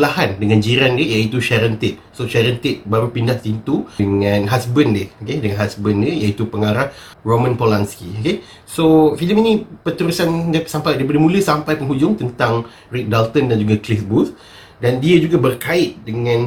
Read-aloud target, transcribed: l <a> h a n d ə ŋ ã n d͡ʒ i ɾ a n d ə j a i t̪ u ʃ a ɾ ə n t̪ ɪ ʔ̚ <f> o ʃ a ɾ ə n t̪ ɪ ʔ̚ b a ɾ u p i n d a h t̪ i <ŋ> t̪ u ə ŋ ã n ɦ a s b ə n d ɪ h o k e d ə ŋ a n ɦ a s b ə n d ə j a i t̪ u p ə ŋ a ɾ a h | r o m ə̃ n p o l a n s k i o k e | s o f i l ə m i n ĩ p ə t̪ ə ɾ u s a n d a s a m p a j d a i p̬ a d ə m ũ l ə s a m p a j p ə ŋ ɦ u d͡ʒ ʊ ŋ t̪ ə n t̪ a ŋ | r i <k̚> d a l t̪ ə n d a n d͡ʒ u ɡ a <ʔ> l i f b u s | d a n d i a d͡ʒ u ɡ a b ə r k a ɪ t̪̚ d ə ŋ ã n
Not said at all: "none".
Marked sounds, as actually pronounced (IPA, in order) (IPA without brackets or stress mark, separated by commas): a, s, n, k̚, k